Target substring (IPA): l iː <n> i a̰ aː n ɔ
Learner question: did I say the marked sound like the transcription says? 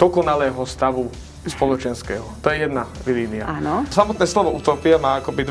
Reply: yes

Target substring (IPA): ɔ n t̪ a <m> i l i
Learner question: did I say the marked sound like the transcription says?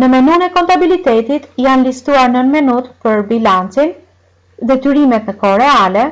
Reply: no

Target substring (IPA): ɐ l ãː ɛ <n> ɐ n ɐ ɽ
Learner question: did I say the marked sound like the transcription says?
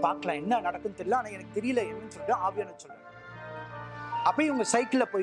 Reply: no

